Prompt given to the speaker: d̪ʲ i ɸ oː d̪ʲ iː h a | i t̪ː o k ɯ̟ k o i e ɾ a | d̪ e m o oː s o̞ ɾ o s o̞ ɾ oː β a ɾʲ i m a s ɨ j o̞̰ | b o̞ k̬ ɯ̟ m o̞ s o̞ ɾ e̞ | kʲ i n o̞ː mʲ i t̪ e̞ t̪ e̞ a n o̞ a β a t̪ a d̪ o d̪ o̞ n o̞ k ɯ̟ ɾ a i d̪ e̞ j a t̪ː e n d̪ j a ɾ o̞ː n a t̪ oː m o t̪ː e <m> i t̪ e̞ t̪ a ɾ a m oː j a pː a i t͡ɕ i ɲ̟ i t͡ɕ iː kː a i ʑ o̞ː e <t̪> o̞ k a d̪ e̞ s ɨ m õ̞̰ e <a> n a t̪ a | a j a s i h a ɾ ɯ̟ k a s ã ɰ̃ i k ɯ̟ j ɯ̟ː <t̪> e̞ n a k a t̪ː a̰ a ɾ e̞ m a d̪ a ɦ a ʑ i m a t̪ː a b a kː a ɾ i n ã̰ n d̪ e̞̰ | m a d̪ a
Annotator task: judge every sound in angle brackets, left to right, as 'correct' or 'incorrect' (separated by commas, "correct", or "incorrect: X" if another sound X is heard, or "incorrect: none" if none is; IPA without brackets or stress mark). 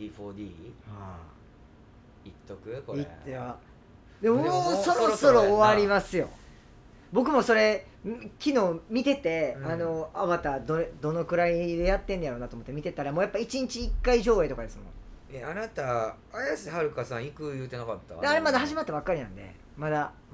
correct, correct, correct, correct